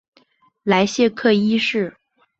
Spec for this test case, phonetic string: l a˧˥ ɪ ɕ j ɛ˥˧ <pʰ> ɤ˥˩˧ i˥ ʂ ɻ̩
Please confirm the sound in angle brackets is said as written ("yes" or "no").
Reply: no